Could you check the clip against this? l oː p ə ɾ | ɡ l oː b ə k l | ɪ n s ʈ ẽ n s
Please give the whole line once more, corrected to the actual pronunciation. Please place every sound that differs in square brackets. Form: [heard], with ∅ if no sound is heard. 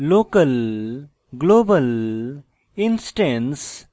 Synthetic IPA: l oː [k] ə [l] | ɡ l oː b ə [∅] l | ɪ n s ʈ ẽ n s